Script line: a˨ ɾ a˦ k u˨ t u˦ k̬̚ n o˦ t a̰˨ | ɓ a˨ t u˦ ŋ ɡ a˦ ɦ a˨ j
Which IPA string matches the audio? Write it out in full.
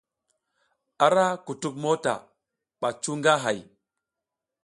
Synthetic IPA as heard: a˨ ɾ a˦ k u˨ t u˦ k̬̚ m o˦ t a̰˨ | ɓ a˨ t͡ʃ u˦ ŋ ɡ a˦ ɦ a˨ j